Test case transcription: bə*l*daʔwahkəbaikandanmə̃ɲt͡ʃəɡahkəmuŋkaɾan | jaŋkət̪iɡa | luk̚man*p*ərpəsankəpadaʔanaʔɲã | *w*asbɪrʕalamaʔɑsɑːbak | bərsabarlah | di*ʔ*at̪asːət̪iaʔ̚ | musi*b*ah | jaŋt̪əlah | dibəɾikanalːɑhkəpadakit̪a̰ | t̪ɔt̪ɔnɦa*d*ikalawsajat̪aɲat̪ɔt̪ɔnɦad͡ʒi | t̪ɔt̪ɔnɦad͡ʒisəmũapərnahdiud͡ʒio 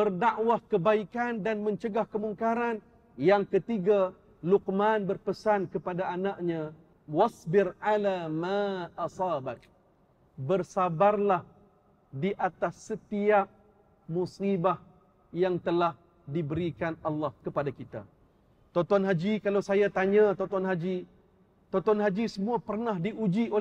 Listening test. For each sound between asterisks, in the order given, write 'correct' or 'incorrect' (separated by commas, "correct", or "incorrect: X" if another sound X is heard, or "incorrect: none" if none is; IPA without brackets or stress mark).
incorrect: r, incorrect: b, correct, correct, correct, incorrect: d͡ʒ